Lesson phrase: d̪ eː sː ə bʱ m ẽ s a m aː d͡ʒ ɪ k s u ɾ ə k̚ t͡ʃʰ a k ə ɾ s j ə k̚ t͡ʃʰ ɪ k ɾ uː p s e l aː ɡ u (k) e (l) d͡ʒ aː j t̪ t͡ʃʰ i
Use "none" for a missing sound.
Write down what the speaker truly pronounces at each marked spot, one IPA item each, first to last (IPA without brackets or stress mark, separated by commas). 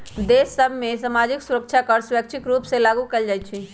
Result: k, l